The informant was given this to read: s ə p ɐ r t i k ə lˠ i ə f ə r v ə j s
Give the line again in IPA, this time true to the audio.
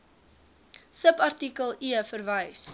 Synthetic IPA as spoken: s ə p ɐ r t i k ə lˠ i ə f ə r v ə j s